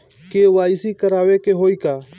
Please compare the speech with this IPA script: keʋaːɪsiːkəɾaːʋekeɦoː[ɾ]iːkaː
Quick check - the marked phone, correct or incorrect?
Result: incorrect